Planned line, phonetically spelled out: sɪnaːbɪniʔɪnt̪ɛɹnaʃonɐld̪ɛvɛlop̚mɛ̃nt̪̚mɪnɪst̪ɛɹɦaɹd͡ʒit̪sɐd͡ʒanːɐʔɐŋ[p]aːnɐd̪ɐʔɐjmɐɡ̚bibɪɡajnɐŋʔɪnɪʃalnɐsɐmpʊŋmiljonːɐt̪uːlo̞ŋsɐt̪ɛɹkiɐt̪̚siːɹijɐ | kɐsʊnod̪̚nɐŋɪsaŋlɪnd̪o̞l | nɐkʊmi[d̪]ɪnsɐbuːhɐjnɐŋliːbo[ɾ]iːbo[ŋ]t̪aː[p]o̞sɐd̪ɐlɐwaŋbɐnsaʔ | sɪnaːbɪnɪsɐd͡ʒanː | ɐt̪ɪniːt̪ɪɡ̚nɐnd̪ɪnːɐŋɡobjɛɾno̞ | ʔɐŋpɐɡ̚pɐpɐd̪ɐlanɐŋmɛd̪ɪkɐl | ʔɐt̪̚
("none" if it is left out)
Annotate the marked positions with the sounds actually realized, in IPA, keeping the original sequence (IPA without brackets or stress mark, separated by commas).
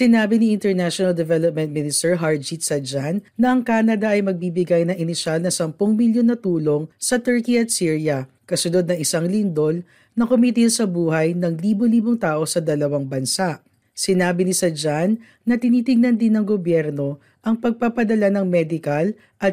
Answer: k, t̪, l, ŋ, ʔ